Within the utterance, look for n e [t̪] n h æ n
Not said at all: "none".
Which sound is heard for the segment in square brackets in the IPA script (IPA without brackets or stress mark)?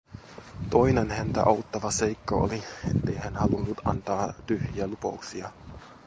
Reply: none